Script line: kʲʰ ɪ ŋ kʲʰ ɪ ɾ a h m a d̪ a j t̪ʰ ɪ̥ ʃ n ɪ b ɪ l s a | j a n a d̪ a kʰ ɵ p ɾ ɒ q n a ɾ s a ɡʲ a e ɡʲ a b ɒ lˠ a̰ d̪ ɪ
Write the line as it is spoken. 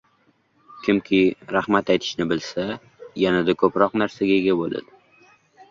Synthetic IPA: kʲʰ ɪ m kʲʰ ɪ ɾ a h m a t̪ a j t̪ʰ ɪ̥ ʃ n ɪ b ɪ l s a | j a n a d̪ a kʰ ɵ p ɾ ɒ q n a ɾ s a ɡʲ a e ɡʲ a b o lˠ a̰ d̪ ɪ

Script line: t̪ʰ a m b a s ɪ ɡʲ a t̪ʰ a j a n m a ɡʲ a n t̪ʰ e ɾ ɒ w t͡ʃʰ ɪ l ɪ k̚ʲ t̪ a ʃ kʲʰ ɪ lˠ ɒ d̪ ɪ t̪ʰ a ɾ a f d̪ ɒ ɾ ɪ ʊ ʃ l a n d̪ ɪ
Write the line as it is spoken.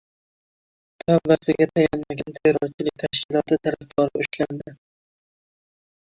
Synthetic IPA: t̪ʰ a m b a s ɪ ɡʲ a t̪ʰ a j a n m a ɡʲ a n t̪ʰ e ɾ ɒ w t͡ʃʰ ɪ l ɪ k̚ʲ t̪ʰ a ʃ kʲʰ ɪ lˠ ɒ t̪ ɪ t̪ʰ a ɾ a f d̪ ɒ ɾ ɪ ʊ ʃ l a n d̪ ɪ

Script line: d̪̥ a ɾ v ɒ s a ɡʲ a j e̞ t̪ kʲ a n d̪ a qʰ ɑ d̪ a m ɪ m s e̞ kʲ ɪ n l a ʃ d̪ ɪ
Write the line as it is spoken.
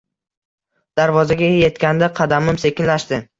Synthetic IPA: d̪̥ a ɾ v ɒ z a ɡʲ a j e̞ t̪ kʲ a n d̪ a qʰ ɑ d̪ a m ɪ m s e̞ kʲ ɪ n l a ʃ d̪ ɪ

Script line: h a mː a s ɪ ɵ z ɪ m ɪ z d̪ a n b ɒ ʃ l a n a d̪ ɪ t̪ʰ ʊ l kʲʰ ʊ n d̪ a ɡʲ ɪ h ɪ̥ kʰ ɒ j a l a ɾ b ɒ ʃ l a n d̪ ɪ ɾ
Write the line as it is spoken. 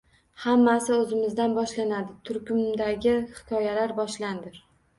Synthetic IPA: h a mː a s ɪ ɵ z ɪ m ɪ z d̪ a n b ɒ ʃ l a n a d̪ ɪ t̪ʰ ʊ ɾ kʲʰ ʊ m d̪ a ɡʲ ɪ h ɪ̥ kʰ ɒ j a l a ɾ b ɒ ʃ l a n d̪ ɪ ɾ

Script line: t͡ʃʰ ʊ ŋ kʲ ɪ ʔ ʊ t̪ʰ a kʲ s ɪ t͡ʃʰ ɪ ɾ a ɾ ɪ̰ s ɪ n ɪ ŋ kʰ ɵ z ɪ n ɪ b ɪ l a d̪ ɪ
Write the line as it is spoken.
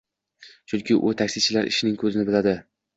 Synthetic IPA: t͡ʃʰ ʊ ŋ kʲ ɪ ʔ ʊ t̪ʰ a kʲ s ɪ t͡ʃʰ ɪ l a ɾ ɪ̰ ʃ ɪ n ɪ ŋ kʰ ɵ z ɪ n ɪ b ɪ l a d̪ ɪ

